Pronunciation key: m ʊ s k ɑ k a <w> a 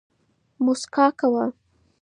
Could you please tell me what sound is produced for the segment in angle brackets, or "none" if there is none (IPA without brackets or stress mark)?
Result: w